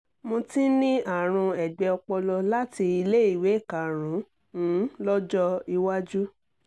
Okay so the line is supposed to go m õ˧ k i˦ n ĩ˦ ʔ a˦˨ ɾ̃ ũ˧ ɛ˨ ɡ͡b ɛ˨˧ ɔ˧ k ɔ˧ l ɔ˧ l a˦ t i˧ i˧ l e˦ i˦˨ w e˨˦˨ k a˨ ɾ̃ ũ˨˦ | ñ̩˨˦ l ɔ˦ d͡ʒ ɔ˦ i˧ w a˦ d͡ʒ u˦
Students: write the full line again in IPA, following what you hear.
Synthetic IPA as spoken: m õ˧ t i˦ n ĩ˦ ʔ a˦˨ ɾ̃ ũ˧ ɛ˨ ɡ͡b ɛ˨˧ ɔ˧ k͡p ɔ˧ l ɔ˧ l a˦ t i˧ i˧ l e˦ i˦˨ w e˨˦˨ k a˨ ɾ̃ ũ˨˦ | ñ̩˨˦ l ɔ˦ d͡ʒ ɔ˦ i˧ w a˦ d͡ʒ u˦